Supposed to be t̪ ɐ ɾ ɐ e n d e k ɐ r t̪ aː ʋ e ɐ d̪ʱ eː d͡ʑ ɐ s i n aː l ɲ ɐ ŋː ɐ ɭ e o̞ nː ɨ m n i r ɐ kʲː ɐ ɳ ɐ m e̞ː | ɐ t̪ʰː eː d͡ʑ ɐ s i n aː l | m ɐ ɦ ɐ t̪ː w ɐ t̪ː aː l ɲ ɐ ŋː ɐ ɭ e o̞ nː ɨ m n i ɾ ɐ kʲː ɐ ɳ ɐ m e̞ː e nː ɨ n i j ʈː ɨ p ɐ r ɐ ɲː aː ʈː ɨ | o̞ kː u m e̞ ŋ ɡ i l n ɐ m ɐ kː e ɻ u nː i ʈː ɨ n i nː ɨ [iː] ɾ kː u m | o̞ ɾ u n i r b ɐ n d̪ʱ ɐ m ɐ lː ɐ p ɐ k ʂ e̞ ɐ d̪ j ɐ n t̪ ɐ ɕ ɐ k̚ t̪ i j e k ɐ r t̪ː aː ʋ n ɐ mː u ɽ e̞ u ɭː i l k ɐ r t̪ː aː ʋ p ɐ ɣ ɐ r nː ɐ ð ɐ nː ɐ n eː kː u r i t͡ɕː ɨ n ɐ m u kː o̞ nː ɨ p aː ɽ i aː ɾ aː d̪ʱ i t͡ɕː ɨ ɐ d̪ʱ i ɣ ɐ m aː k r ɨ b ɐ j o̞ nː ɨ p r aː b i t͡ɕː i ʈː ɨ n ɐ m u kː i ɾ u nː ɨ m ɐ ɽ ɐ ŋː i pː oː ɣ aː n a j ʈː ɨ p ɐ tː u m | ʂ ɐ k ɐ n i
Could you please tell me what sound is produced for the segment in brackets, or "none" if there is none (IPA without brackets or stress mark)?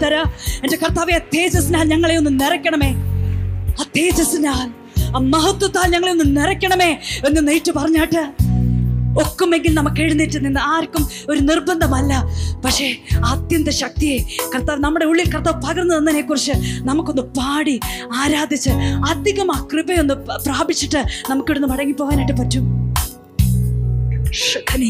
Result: aː